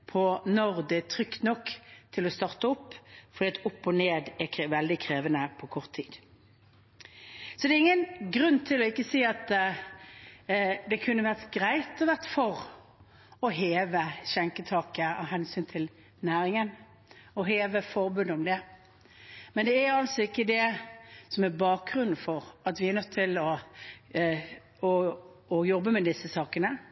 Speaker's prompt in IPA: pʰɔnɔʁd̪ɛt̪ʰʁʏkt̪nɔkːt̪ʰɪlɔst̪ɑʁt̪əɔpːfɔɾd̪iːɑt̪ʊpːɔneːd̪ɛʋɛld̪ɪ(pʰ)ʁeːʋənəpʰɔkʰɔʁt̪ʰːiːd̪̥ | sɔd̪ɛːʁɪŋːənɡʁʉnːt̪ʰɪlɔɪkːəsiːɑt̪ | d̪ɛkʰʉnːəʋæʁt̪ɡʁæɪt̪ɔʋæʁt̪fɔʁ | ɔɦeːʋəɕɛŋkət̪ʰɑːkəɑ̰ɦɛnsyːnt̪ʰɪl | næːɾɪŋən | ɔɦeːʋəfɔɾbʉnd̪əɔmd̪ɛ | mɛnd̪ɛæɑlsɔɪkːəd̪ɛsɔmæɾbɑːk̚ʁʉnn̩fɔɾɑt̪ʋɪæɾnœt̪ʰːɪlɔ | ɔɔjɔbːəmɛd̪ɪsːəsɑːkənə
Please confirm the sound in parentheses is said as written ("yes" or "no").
no